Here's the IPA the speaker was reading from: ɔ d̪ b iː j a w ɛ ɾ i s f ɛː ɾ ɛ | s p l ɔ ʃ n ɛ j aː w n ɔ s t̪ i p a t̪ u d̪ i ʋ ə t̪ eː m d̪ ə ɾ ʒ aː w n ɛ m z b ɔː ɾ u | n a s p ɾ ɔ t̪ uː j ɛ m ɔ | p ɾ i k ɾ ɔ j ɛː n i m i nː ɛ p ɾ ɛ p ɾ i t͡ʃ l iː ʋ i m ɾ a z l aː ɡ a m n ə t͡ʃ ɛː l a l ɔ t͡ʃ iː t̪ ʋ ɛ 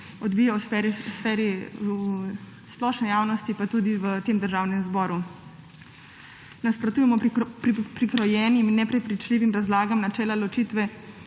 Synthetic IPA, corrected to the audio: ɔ d̪ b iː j a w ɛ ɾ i s f ɛː ɾ i | s p l ɔ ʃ n ɛ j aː w n ɔ s t̪ i p a t̪ u d̪ i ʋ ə t̪ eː m d̪ ə ɾ ʒ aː w n ɛ m z b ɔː ɾ u | n a s p ɾ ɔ t̪ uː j ɛ m ɔ | p ɾ i k ɾ ɔ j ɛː n i m i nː ɛ p ɾ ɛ p ɾ i t͡ʃ l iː ʋ i m ɾ a z l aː ɡ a m n a t͡ʃ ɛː l a l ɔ t͡ʃ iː t̪ ʋ ɛ

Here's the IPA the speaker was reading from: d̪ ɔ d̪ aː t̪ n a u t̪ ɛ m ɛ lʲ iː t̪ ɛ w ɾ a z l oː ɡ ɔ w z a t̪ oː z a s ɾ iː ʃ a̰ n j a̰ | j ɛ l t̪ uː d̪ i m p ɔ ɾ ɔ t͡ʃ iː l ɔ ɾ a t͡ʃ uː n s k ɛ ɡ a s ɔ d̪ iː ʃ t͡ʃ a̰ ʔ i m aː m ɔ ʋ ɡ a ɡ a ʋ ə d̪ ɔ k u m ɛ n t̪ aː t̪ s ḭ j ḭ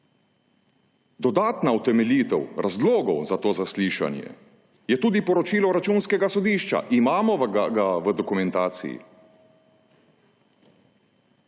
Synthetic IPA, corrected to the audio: d̪ ɔ d̪ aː t̪ n a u t̪ ɛ m ɛ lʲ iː t̪ ɛ w ɾ a z l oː ɡ ɔ w z a t̪ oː z a s l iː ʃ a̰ n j ɛ̰ | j ɛ t̪ uː d̪ i p ɔ ɾ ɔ t͡ʃ iː l ɔ ɾ a t͡ʃ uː n s k ɛ ɡ a s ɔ d̪ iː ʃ t͡ʃ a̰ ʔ i m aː m ɔ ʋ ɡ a ɡ a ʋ ə d̪ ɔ k u m ɛ n t̪ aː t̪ s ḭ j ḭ

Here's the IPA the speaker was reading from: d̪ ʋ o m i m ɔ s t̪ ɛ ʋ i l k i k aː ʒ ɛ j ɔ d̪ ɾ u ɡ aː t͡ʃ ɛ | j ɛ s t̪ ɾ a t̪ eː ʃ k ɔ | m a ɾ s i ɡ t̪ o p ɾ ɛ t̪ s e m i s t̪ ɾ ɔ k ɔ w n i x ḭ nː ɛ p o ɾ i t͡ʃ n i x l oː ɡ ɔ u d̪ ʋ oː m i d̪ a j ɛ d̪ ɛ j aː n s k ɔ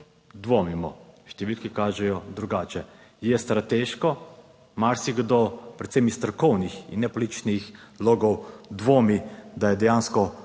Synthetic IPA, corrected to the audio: d̪ ʋ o m i m ɔ ʃ t̪ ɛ ʋ i l k i k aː ʒ ɛ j ɔ d̪ ɾ u ɡ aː t͡ʃ ɛ | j ɛ s t̪ ɾ a t̪ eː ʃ k ɔ | m a ɾ s i ɡ d̪ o p ɾ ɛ t̪ s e m i s t̪ ɾ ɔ k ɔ w n i x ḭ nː ɛ p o l i t͡ʃ n i x l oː ɡ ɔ w d̪ ʋ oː m i d̪ a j ɛ d̪ ɛ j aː n s k ɔ

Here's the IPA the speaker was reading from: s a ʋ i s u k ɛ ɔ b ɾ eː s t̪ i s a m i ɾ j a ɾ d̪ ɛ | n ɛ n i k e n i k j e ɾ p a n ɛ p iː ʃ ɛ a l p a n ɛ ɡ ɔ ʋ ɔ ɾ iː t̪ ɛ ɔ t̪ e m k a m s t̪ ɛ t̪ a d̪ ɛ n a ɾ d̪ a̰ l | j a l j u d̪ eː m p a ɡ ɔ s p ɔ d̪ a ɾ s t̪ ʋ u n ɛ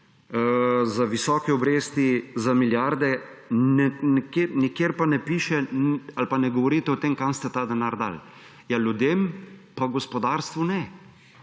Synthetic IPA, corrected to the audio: z a ʋ i s ɔ k ɛ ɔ b ɾ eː s t̪ i z a m i l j a ɾ d̪ ɛ | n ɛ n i k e n i k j e ɾ p a n ɛ p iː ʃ ɛ a l p a n ɛ ɡ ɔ ʋ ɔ ɾ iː t̪ ɛ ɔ t̪ e m k a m s t̪ ɛ t̪ a d̪ ɛ n a ɾ d̪ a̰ l | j a l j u d̪ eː m p a ɡ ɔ s p ɔ d̪ a ɾ s t̪ ʋ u n ɛ

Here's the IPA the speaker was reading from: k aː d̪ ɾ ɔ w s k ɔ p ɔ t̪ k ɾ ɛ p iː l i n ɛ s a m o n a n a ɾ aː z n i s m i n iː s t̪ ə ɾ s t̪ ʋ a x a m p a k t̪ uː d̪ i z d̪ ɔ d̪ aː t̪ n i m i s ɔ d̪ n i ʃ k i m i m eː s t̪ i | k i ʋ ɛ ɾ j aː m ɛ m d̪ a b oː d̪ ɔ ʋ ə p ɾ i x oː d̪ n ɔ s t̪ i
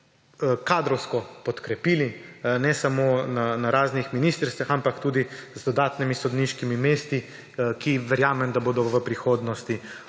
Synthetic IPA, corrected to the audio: k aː d̪ ɾ ɔ w s k ɔ p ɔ t̪ k ɾ ɛ p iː l i n ɛ s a m o n a n a ɾ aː z n i x m i n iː s t̪ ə ɾ s t̪ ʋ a x a m p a k t̪ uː d̪ i z d̪ ɔ d̪ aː t̪ n i m i s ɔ d̪ n i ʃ k i m i m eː s t̪ i | k i ʋ ɛ ɾ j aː m ɛ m d̪ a b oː d̪ ɔ ʋ ə p ɾ i x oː d̪ n ɔ s t̪ i

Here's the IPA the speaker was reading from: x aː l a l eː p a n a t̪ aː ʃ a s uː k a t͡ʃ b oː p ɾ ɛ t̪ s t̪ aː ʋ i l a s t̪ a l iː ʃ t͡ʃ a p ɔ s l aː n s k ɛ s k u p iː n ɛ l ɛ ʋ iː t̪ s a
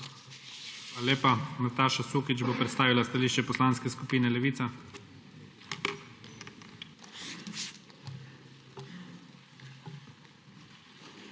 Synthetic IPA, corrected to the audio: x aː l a l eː p a n a t̪ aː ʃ a s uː k i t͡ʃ b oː p ɾ ɛ t̪ s t̪ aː ʋ i l a s t̪ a l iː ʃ t͡ʃ ɛ p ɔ s l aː n s k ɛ s k u p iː n ɛ l ɛ ʋ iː t̪ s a

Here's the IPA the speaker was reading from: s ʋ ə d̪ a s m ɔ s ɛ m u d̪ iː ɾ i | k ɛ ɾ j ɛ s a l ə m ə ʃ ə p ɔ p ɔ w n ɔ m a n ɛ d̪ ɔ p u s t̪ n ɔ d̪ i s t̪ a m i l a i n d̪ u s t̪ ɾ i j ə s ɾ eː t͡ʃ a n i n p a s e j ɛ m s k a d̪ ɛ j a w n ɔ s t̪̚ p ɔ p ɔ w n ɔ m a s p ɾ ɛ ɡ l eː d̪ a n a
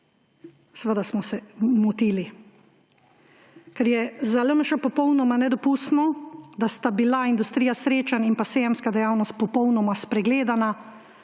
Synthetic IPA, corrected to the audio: s ʋ ə d̪ a s m ɔ s ɛ m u t̪ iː l i | k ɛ ɾ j ɛ z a l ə m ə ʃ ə p ɔ p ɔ w n ɔ m a n ɛ d̪ ɔ p u s t̪ n ɔ d̪ a s t̪ a b i l a i n d̪ u s t̪ ɾ i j a s ɾ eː t͡ʃ a n i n p a s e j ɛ m s k a d̪ ɛ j a w n ɔ s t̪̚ p ɔ p ɔ w n ɔ m a s p ɾ ɛ ɡ l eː d̪ a n a

